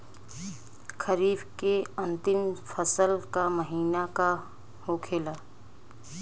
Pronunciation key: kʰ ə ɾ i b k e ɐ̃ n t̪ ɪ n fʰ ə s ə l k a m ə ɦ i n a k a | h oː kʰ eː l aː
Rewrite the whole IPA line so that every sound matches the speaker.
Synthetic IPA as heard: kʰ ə ɾ iː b k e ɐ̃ n t̪ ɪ m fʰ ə s ə l k a m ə ɦ iː n a k a | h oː kʰ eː l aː